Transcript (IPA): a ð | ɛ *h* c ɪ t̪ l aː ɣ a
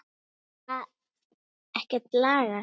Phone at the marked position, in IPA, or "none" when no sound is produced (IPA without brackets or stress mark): h